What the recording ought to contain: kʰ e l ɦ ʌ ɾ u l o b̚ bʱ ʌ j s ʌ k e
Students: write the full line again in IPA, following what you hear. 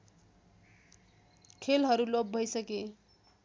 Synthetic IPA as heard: kʰ e l ɦ ʌ ɾ u l o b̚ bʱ ʌ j s ʌ k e